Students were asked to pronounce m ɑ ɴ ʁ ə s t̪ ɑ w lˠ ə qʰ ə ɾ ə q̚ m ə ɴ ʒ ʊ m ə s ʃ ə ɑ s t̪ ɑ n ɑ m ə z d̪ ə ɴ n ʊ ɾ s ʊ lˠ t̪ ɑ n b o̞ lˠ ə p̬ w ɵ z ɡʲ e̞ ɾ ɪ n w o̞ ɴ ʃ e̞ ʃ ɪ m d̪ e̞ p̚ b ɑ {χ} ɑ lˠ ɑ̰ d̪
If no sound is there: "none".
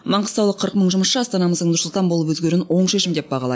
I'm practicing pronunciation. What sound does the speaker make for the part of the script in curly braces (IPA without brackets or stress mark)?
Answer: ʁ